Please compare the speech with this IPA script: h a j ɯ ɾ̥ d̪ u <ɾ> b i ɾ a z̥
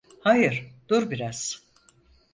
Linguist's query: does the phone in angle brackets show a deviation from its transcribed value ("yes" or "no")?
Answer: no